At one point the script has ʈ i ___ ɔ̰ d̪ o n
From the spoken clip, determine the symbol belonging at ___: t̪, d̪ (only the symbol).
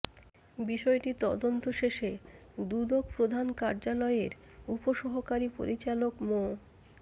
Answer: t̪